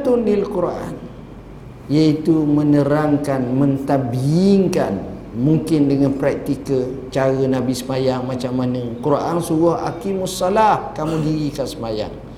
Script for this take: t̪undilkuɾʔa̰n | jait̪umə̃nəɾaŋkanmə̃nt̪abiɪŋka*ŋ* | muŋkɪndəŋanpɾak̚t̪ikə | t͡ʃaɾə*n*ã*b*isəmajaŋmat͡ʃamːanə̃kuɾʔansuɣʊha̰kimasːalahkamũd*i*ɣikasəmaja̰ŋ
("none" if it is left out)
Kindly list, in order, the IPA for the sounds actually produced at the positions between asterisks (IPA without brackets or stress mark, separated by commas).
n, n, b, i